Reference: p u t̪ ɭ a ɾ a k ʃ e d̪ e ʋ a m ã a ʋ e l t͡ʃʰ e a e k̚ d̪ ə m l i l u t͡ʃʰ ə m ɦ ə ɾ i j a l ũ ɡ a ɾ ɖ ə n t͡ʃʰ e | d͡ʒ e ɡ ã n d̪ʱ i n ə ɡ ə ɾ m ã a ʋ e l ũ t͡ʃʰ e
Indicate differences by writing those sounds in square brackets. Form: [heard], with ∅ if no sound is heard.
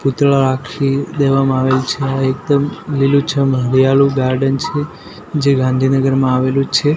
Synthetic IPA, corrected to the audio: p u t̪ ɭ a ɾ a k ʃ [i] d̪ e ʋ a m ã a ʋ e l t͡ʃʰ e a e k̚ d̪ ə m l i l u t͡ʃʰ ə m ɦ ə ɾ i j a l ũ ɡ a ɾ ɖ ə n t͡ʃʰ e | d͡ʒ e ɡ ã n d̪ʱ i n ə ɡ ə ɾ m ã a ʋ e l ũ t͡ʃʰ e